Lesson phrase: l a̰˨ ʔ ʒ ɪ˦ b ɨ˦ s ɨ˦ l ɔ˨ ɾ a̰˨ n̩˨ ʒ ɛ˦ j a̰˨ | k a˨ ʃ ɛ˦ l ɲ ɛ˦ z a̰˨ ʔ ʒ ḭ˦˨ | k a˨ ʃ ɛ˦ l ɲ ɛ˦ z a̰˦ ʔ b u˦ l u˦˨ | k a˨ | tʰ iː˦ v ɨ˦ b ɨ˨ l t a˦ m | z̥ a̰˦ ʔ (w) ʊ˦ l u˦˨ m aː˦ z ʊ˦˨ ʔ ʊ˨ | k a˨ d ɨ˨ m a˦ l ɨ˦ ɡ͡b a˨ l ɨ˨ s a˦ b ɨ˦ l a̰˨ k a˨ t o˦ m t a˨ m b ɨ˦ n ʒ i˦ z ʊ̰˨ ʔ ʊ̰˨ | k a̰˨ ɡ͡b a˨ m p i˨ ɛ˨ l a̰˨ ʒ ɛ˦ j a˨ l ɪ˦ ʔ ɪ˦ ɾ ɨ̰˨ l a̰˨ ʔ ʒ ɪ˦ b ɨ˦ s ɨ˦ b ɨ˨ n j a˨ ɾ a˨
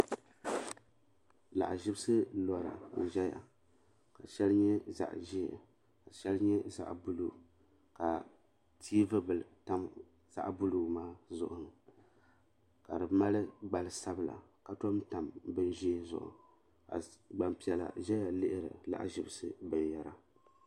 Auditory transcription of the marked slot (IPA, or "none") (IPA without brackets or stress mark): b